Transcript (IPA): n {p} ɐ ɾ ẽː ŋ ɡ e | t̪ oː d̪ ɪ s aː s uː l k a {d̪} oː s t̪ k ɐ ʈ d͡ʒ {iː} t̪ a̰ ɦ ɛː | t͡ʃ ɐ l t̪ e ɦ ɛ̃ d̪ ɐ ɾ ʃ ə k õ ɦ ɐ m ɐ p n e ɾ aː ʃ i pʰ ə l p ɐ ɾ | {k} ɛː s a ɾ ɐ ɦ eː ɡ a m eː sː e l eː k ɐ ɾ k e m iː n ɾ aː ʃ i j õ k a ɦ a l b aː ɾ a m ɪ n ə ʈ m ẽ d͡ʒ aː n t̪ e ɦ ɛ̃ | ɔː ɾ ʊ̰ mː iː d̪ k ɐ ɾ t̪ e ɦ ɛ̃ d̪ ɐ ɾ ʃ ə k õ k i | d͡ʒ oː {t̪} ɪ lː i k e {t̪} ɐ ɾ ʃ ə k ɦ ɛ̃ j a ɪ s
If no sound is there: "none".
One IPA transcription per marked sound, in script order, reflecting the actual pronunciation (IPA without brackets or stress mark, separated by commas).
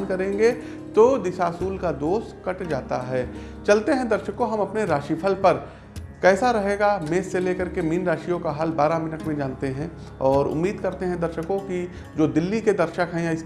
k, d̪, aː, k, d̪, d̪